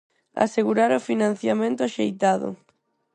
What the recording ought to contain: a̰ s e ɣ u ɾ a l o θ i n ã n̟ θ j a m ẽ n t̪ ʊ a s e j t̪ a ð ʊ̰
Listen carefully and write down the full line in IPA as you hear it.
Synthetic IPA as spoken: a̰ s e ɣ u ɾ a ɾ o f i n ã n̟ θ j a m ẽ n t̪ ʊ a ʃ e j t̪ a ð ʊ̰